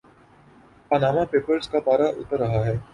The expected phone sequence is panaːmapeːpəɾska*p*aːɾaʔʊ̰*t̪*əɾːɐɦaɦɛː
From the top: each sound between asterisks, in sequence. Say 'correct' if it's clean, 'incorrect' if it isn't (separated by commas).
correct, correct